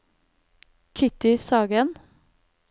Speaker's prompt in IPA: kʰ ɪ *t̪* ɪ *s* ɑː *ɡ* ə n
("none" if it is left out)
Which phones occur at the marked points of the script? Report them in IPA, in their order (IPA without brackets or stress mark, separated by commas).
t̪, s, ɡ